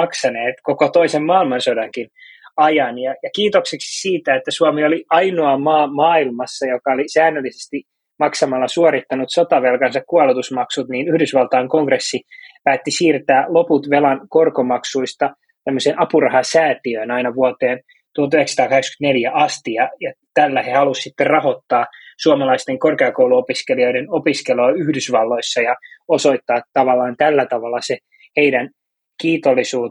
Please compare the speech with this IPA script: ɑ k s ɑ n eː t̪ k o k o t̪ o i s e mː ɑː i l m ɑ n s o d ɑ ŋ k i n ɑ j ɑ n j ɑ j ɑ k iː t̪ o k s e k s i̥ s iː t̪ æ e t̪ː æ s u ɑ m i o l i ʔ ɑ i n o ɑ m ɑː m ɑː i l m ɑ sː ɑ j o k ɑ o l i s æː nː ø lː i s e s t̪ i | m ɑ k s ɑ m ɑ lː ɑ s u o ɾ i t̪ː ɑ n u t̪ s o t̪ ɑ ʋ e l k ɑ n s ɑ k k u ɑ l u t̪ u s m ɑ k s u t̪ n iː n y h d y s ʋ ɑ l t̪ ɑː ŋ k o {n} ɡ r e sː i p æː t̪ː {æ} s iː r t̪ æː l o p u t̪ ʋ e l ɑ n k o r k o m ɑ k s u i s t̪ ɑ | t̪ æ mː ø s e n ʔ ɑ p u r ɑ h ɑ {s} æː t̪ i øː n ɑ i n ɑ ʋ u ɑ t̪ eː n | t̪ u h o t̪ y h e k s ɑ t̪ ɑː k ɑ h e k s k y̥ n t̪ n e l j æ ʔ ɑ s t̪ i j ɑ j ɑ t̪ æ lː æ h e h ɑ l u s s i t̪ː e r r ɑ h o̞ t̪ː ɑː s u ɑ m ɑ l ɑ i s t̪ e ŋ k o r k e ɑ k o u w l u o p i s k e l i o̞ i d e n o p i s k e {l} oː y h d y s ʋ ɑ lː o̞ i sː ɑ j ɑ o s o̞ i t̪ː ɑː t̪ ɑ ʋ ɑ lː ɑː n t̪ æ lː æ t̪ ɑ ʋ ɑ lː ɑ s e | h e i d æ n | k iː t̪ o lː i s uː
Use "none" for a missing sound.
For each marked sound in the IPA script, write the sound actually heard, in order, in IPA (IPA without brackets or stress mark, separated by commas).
ŋ, i, s, l